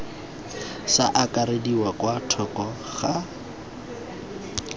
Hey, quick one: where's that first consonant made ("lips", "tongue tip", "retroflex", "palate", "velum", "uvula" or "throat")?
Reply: tongue tip